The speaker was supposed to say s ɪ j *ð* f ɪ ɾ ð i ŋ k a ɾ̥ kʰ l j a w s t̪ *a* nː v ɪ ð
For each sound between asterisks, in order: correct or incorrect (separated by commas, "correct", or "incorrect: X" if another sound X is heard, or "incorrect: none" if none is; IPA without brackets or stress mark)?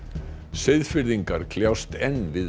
correct, incorrect: ɛ